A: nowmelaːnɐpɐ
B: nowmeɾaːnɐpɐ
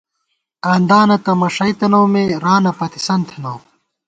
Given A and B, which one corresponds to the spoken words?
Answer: B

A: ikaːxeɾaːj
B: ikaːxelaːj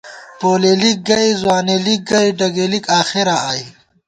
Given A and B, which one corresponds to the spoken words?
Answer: A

